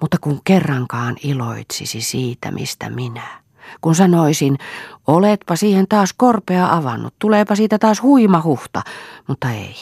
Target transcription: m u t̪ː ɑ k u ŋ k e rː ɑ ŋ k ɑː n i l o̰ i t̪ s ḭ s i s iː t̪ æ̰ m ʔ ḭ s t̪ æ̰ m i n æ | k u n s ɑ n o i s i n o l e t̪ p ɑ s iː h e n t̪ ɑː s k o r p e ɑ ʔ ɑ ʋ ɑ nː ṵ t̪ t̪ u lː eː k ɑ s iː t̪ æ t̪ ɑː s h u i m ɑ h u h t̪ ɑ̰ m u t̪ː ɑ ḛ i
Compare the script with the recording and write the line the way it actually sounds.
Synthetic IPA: m u t̪ː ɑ k u ŋ k e rː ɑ ŋ k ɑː n i l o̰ i t̪ s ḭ s i s iː t̪ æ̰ m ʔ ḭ s t̪ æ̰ m i n æ | k u n s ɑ n o i s i n o l e t̪ p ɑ s iː h e n t̪ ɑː s k o r p e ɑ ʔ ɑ ʋ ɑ nː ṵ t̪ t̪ u l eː p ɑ s iː t̪ æ t̪ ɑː s h u i m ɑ h u h t̪ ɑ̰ m u t̪ː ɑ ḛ i